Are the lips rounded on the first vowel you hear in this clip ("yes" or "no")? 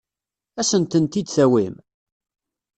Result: no